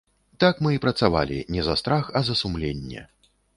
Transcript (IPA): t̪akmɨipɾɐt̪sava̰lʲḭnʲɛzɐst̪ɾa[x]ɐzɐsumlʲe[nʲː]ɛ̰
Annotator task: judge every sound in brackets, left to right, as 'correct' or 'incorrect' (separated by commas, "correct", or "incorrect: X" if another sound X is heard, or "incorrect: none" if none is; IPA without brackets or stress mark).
correct, correct